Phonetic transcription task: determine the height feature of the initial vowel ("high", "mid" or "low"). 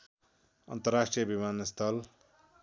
mid